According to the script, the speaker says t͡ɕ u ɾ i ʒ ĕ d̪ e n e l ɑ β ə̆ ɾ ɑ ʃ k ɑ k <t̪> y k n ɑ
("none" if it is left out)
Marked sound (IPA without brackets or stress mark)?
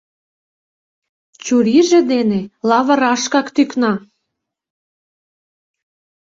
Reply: t̪